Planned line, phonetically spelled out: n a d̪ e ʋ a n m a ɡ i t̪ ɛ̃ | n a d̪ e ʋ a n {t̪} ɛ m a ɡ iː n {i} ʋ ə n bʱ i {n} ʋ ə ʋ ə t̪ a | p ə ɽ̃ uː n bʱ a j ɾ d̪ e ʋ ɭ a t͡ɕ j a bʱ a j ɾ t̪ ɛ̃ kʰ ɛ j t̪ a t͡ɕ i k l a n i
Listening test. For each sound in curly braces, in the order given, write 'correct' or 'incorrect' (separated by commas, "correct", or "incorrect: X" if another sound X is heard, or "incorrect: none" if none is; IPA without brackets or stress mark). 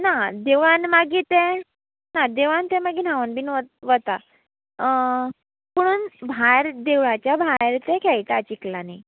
correct, incorrect: a, correct